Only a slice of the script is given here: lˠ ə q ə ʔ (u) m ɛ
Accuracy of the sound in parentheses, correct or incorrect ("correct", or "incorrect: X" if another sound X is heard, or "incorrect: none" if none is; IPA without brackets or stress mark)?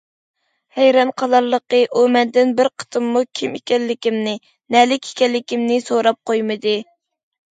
correct